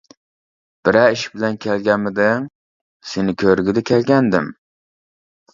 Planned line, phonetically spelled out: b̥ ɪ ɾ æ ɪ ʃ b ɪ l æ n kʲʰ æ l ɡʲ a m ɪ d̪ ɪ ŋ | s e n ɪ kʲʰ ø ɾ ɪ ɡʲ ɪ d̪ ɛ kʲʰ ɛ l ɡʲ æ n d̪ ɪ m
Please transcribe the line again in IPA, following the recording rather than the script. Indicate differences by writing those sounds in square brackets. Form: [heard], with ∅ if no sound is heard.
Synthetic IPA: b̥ ɪ ɾ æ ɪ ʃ b ɪ l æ n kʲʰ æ l ɡʲ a m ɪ d̪ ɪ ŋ | s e n ɪ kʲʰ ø ɾ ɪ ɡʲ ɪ d̪ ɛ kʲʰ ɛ l ɡʲ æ n d̪ ɪ m

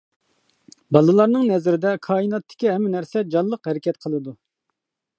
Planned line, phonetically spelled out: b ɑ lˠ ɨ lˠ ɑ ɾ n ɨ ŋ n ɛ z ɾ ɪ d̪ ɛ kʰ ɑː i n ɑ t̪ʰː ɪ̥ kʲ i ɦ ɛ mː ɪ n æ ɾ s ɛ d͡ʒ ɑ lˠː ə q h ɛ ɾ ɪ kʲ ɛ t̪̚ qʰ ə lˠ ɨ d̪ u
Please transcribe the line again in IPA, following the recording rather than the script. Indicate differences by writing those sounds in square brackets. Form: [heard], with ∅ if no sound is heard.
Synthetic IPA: b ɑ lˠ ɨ lˠ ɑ ɾ n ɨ ŋ n ɛ z ɾ ɪ d̪ ɛ kʰ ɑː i n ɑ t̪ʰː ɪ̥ kʲ i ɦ ɛ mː ɪ n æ ɾ s ɛ d͡ʒ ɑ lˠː ə q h ɛ ɾ ɪ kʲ ɛ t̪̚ qʰ ə lˠ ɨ d̪ u

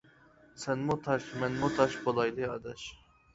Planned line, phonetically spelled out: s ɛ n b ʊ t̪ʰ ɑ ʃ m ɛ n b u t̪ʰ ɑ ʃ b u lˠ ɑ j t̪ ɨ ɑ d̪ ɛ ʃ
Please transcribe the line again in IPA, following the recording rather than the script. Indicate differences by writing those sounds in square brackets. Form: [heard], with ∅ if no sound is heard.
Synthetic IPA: s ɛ n [m] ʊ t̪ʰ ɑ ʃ m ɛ n [m] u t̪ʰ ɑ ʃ b [o] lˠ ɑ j [d̪] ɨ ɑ d̪ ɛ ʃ

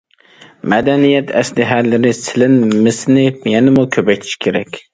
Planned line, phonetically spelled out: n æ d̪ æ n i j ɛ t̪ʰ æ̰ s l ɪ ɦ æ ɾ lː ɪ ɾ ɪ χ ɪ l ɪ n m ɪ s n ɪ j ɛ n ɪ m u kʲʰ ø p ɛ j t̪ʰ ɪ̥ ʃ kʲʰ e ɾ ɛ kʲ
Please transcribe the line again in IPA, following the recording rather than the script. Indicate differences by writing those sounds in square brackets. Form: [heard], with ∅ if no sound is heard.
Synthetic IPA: [m] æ d̪ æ n i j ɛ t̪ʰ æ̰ s l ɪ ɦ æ ɾ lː ɪ ɾ ɪ [s] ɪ l ɪ n m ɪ s n ɪ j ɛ n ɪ m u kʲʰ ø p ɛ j t̪ʰ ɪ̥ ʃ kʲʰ e ɾ ɛ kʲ

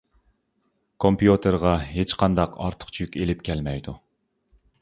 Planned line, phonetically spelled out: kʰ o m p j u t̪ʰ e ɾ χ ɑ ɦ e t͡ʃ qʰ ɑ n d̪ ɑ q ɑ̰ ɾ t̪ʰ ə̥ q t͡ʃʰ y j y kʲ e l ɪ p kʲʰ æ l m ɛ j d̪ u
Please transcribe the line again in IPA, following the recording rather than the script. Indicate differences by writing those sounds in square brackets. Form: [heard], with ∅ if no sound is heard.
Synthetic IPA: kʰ o m p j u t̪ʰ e ɾ [ʁ] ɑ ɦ e t͡ʃ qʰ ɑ n d̪ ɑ q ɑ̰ ɾ t̪ʰ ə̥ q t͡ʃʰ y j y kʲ e l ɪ p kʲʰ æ l m ɛ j d̪ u

